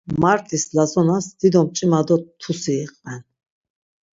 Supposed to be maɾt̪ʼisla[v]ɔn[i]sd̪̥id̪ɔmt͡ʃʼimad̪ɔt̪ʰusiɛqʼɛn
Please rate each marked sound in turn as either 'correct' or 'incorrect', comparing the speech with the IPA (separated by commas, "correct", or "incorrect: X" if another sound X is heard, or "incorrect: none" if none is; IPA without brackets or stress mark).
incorrect: z, incorrect: a